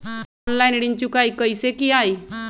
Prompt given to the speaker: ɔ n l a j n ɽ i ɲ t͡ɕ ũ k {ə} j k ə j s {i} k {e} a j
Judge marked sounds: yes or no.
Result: no, no, no

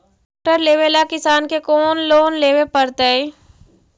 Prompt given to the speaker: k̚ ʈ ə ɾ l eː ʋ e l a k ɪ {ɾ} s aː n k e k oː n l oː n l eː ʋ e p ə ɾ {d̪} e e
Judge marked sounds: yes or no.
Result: no, no

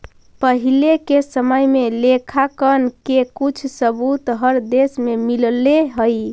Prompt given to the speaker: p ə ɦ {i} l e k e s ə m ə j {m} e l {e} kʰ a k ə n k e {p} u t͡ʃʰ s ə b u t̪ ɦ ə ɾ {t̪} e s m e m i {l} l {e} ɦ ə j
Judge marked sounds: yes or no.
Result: yes, yes, yes, no, no, yes, yes

